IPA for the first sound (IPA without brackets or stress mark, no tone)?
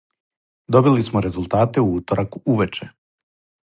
d̪